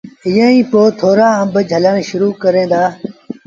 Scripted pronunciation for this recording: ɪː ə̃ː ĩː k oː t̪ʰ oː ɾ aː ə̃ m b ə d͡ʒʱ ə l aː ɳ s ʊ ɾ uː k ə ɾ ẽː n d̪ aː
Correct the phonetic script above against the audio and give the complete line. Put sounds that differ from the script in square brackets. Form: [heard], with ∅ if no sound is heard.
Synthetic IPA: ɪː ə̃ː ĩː [p] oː t̪ʰ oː ɾ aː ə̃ m b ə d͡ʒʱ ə l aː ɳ [ʃ] ʊ ɾ uː k ə ɾ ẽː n d̪ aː